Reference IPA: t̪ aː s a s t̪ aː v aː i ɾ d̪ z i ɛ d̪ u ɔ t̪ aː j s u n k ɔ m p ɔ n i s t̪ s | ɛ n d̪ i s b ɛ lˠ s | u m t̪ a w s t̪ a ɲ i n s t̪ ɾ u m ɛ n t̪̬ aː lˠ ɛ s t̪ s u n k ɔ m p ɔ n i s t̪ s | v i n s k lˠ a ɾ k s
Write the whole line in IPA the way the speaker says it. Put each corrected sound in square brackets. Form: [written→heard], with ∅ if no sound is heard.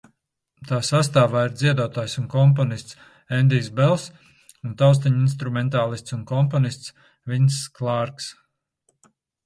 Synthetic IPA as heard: t̪ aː s a s t̪ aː v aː i ɾ d̪ z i ɛ d̪ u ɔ t̪ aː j s u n k ɔ m p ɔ n i s t̪ s | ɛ n d̪ i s b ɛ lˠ s | u [m→n] t̪ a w s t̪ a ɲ i n s t̪ ɾ u m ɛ n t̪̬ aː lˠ [ɛ→i] s t̪ s u n k ɔ m p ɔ n i s t̪ s | v i n s k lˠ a ɾ k s